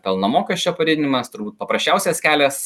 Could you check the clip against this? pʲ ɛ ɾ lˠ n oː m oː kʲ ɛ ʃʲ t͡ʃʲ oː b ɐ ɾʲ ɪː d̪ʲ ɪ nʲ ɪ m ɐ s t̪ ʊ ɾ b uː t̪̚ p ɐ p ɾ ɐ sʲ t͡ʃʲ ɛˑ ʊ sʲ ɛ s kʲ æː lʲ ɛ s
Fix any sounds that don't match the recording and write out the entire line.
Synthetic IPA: pʲ ɛ lˠ n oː m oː kʲ ɛ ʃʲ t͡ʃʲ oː p ɐ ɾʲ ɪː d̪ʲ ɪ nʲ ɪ m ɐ s t̪ ʊ ɾ b uː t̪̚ p ɐ p ɾ ɐ sʲ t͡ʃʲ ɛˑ ʊ sʲ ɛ s kʲ æː lʲ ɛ s